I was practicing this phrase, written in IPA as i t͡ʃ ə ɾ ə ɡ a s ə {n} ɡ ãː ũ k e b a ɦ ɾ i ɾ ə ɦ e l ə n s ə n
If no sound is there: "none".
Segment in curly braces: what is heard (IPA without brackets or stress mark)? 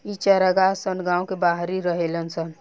n